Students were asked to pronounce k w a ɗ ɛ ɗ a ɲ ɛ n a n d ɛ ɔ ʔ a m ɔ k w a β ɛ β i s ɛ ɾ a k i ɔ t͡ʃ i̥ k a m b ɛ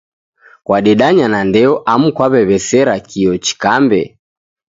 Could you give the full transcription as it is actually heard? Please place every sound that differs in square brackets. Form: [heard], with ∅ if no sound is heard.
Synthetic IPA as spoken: k w a ɗ ɛ ɗ a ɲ [a] n a n d ɛ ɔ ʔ a m [u] k w a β ɛ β [ɛ] s ɛ ɾ a k i ɔ t͡ʃ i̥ k a m b ɛ